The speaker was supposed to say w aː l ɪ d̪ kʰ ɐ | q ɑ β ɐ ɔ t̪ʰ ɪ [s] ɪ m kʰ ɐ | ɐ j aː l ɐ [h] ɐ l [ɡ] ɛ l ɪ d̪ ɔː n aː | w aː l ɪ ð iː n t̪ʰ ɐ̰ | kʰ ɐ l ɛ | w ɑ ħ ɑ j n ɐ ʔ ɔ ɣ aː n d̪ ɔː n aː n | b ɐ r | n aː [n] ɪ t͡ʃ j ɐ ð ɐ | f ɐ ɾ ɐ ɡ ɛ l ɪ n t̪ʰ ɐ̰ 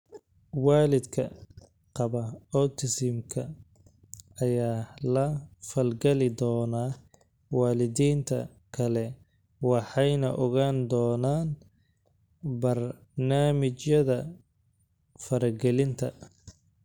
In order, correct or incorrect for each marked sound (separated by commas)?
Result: correct, incorrect, correct, incorrect